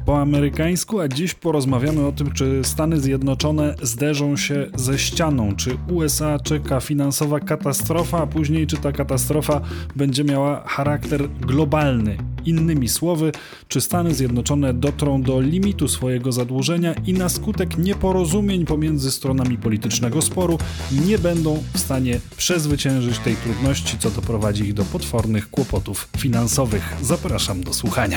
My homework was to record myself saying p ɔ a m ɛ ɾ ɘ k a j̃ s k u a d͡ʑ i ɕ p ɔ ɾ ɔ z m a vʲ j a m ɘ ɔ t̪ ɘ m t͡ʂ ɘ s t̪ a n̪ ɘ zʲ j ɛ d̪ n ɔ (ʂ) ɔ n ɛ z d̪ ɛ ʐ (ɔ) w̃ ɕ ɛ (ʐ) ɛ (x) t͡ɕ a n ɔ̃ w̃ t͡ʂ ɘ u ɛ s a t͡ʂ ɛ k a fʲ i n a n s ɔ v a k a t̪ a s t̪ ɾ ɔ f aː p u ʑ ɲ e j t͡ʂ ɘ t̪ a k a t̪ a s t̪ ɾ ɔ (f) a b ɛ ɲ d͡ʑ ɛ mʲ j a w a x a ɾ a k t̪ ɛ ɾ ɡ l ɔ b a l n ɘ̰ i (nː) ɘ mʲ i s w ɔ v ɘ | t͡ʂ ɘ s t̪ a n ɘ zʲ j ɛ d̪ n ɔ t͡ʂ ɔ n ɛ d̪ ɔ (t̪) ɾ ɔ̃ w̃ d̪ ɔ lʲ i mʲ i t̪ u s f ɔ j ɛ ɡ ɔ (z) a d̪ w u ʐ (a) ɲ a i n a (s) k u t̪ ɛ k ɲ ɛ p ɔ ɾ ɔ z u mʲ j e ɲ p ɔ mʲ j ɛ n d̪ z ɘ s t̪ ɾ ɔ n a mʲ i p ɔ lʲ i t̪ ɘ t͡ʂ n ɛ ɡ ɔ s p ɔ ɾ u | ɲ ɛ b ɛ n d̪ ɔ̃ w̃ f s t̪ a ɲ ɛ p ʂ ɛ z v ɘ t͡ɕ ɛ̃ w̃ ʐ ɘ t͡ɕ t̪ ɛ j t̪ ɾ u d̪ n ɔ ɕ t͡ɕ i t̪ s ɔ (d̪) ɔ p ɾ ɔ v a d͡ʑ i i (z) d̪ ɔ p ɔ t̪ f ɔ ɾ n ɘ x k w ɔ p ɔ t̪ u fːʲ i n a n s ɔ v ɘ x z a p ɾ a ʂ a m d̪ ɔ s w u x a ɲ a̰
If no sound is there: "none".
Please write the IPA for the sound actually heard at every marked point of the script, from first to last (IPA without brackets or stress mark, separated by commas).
t͡ʂ, ɔ̃, z, ɕ, f, nː, t̪, z, ɛ, s, d̪, ɣ